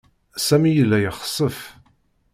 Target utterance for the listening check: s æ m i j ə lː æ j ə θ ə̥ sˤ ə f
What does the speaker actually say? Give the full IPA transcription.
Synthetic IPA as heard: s æ m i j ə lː æ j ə χ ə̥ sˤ ə f